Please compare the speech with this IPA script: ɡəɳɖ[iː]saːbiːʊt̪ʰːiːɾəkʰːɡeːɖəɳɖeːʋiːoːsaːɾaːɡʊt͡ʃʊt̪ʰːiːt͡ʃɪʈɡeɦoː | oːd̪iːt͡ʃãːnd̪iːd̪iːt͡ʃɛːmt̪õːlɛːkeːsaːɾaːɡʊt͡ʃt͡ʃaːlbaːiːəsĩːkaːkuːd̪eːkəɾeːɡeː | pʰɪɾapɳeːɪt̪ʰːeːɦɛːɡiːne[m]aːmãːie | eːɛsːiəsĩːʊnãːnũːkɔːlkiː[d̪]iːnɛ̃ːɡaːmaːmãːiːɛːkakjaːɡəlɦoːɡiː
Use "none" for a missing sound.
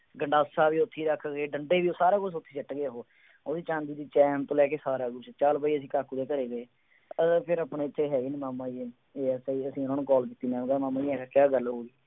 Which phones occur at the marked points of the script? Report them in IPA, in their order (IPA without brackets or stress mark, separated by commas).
aː, m, t̪